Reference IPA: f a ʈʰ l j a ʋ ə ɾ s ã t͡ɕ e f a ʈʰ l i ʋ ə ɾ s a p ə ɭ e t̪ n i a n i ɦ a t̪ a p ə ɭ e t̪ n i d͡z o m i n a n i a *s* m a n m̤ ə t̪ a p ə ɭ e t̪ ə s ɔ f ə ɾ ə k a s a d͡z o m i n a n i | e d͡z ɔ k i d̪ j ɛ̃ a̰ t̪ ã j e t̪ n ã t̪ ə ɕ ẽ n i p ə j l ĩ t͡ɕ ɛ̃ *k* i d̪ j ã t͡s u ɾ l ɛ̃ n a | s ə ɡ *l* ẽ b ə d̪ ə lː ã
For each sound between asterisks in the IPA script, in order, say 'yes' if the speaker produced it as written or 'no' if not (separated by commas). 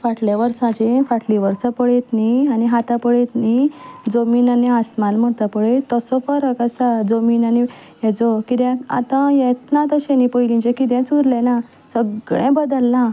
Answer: yes, yes, no